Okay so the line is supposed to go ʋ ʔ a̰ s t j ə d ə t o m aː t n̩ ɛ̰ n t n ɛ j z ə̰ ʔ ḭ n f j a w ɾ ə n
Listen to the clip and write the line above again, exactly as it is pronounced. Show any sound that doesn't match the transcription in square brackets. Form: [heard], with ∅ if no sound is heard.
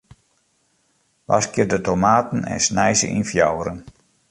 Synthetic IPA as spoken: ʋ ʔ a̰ s [k] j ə d ə t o m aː t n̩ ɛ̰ n [s] n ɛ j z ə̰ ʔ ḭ n f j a w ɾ ə n